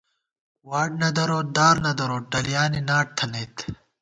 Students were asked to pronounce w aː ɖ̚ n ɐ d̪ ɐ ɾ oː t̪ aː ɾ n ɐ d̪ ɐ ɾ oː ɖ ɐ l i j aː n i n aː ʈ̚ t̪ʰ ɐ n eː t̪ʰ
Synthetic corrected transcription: w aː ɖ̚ n ɐ d̪ ɐ ɾ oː d̪ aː ɾ n ɐ d̪ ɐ ɾ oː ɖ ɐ l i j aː n i n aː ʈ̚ t̪ʰ ɐ n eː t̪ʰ